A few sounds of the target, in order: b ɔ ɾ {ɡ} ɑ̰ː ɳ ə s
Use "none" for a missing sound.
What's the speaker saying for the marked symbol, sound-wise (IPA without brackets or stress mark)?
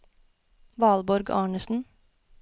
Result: ɡ